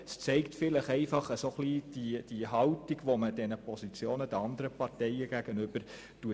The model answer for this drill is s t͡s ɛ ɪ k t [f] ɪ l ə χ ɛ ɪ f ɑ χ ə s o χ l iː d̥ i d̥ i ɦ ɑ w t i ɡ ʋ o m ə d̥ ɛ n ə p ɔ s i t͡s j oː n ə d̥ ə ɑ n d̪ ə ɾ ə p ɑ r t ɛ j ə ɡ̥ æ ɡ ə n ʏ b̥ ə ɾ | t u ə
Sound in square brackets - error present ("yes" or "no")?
no